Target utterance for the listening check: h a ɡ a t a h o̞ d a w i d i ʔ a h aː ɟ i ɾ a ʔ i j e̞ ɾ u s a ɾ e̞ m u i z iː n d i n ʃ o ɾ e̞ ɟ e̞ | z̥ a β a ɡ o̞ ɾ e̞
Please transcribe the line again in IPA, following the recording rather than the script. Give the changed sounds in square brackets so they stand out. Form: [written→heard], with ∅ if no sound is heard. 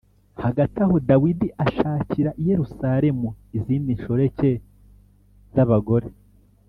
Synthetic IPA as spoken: h a ɡ a t a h o̞ d a w i d i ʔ a [h→ʃ] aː [ɟ→c] i ɾ a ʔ i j e̞ ɾ u s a ɾ e̞ m u i z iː n d i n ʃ o ɾ e̞ [ɟ→c] e̞ | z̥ a β a ɡ o̞ ɾ e̞